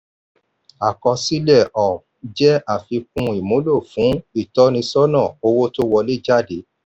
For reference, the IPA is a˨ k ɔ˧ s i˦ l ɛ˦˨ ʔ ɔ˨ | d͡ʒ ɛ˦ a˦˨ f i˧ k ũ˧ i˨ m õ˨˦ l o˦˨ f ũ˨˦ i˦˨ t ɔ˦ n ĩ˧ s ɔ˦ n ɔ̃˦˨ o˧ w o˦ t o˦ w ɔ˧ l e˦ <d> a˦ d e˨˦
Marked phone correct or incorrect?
incorrect